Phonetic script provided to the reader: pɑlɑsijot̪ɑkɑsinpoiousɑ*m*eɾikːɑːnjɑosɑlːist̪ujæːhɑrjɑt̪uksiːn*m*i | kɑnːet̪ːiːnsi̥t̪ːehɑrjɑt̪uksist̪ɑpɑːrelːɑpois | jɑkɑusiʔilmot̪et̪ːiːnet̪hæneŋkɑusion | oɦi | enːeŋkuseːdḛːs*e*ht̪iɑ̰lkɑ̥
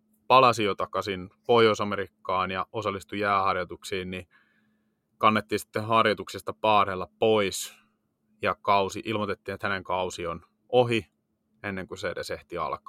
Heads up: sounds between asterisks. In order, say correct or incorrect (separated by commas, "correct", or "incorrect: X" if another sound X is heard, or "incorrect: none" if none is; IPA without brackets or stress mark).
correct, incorrect: n, correct